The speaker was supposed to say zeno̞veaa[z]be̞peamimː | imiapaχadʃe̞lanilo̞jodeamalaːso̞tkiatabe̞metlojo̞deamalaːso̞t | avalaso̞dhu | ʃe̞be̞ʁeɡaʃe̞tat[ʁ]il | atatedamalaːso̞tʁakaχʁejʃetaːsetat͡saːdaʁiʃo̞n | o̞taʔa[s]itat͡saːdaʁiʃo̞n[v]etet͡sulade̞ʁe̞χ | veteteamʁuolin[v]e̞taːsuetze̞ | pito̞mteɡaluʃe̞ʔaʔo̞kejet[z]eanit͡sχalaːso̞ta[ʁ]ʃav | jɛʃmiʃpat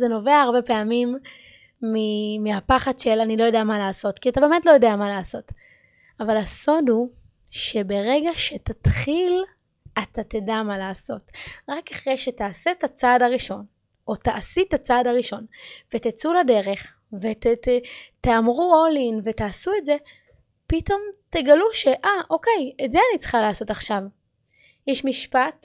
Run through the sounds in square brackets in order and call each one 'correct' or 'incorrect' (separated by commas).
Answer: incorrect, incorrect, correct, correct, correct, correct, incorrect